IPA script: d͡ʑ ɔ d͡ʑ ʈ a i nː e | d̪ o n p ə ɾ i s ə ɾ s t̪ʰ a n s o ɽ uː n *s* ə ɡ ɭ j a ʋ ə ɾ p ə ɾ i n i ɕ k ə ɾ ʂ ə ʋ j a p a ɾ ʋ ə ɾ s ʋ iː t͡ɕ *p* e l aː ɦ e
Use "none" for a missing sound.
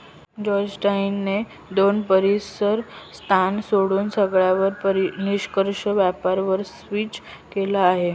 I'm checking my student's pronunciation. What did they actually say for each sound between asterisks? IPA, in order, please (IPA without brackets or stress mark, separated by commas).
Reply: s, k